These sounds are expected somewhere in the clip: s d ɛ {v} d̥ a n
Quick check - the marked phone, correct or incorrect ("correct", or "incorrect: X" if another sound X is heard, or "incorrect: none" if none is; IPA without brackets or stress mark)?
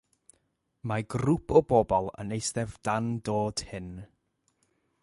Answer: correct